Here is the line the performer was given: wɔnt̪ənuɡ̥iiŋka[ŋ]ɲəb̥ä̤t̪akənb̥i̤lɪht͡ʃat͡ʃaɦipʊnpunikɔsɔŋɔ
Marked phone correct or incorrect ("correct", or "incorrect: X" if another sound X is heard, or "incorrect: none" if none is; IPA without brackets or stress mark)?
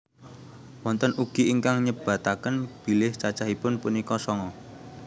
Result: correct